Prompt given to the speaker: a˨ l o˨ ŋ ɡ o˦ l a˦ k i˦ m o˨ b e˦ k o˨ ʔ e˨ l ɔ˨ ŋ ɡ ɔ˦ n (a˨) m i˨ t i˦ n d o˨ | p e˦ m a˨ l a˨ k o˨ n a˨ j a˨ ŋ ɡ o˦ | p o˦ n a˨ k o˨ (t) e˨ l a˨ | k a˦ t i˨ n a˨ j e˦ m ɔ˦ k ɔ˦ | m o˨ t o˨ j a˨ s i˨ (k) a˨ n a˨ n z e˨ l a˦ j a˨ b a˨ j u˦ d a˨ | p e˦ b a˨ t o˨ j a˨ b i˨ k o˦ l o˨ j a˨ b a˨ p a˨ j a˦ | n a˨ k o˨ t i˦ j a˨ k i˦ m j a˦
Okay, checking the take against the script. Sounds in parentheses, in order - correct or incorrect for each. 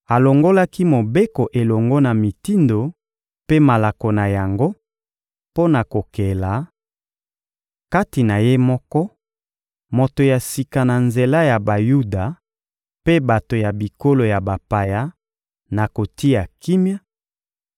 correct, incorrect: k, correct

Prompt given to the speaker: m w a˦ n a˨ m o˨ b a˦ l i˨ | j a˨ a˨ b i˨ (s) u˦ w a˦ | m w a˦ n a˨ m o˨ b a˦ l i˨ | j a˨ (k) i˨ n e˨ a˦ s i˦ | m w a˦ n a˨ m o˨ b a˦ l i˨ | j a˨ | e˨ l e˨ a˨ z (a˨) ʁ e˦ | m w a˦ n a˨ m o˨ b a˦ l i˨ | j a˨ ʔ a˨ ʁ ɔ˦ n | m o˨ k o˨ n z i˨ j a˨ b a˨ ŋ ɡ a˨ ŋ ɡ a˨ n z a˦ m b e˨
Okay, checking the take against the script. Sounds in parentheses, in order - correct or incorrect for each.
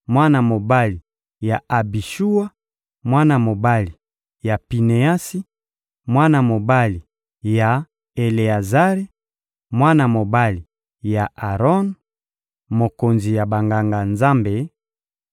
incorrect: ʃ, incorrect: p, incorrect: a˦

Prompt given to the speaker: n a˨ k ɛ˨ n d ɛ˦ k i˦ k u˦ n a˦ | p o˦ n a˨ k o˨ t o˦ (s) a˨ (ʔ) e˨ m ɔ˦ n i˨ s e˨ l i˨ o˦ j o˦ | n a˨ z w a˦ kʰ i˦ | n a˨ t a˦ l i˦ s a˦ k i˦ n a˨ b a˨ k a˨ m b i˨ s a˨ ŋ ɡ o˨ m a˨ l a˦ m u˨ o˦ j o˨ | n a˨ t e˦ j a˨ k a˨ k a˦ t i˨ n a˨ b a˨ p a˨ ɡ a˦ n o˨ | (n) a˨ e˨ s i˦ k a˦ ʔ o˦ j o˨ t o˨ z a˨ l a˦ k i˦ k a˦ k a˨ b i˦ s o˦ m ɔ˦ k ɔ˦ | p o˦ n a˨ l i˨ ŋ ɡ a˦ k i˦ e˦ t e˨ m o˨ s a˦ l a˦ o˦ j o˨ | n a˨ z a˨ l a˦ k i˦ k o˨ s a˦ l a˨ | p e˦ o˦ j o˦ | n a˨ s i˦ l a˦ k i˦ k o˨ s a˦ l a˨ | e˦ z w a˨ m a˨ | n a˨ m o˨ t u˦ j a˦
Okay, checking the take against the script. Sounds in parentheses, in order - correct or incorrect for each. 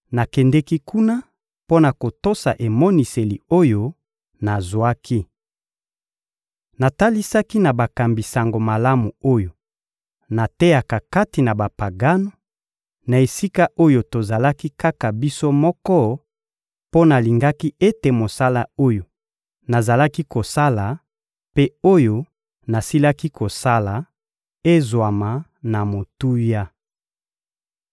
correct, correct, correct

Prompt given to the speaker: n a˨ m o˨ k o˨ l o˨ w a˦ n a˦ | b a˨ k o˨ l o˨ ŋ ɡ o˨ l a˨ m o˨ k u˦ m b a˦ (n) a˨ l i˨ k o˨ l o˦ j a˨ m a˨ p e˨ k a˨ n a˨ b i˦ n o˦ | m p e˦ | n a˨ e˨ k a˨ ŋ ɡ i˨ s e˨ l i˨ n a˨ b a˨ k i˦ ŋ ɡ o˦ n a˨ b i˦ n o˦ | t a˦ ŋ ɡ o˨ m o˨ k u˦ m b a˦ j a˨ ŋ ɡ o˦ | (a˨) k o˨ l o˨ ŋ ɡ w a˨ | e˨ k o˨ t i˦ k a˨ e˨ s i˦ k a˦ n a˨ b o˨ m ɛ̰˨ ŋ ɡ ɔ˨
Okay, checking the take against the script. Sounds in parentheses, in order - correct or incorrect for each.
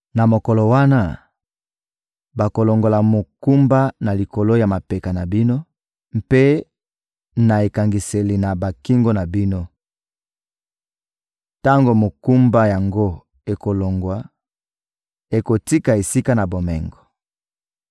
correct, incorrect: e˨

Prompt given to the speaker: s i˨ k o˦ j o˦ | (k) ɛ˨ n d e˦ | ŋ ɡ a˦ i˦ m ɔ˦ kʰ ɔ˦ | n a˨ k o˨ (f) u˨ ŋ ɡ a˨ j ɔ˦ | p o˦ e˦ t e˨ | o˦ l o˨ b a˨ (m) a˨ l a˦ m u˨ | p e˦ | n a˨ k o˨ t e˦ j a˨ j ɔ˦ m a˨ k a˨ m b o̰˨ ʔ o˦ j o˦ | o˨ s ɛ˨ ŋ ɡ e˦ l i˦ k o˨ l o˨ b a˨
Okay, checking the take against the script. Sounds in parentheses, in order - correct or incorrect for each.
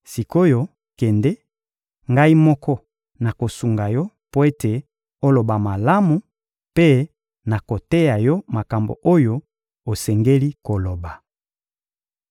correct, incorrect: s, correct

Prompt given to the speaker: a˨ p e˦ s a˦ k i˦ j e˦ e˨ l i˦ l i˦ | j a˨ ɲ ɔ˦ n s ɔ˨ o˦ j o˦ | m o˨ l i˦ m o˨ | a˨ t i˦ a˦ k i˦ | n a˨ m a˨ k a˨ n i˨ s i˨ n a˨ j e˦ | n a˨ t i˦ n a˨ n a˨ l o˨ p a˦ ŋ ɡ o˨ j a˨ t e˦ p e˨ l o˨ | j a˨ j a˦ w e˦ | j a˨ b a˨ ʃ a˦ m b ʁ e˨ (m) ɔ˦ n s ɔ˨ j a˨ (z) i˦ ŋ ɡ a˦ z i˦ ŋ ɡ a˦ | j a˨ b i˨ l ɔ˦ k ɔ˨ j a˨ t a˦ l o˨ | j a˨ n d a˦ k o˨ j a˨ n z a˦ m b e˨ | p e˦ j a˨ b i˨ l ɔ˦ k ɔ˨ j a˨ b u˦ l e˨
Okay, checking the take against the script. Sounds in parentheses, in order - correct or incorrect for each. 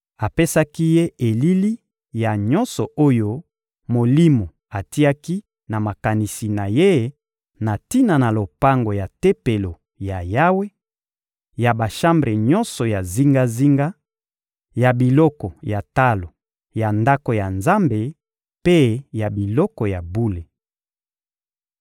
incorrect: ɲ, correct

